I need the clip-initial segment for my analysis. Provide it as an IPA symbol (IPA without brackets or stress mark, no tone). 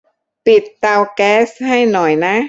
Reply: p